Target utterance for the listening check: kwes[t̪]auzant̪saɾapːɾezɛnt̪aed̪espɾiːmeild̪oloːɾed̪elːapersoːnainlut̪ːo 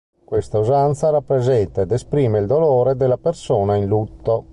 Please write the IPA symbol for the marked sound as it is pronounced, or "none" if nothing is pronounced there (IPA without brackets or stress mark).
t̪